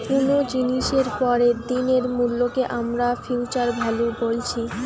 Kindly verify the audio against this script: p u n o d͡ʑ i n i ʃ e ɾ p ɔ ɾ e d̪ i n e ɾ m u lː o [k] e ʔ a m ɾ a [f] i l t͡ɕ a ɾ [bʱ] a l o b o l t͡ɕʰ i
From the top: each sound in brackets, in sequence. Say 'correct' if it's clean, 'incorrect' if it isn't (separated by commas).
correct, correct, correct